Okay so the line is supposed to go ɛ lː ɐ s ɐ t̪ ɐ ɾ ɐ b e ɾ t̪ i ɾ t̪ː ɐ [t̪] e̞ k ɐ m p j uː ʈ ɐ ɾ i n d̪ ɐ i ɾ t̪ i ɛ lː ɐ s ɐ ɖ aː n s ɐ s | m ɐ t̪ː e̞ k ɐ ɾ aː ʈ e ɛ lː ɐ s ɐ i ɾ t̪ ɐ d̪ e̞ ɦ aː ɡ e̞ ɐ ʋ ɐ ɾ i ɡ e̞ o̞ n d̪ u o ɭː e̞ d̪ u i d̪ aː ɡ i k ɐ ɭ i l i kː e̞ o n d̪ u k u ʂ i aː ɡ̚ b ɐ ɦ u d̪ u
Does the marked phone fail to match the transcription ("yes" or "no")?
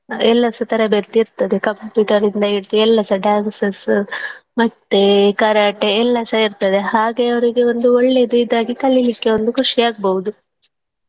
yes